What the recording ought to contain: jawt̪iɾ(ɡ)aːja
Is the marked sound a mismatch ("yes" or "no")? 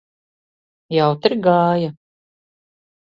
no